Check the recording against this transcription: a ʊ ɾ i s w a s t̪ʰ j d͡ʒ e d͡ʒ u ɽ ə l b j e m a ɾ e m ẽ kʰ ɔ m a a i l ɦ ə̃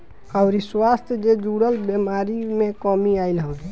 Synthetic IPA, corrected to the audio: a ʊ ɾ i s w a s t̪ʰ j d͡ʒ e d͡ʒ u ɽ ə l b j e m a ɾ i m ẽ k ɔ m i a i l ɦ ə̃